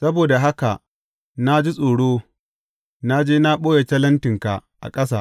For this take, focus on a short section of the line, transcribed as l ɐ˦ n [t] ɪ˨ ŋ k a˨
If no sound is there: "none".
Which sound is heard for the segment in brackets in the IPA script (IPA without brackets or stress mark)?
t